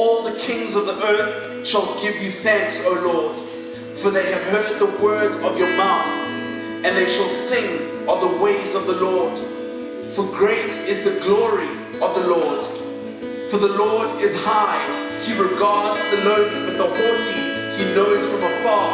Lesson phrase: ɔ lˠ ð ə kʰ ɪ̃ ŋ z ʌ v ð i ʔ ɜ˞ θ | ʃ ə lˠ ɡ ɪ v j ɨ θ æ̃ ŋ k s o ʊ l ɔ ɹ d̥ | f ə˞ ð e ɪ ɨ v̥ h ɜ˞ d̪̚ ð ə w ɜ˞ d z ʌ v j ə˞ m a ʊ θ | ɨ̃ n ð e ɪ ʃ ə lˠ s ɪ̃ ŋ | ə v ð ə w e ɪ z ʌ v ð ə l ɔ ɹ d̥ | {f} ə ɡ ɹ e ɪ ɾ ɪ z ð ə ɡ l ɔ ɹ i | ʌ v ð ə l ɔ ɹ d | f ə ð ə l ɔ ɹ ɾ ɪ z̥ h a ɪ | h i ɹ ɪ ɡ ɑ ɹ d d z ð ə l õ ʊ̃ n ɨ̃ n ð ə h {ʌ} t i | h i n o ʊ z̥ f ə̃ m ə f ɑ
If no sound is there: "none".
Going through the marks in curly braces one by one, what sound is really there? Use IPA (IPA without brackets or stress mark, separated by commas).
f, ɔ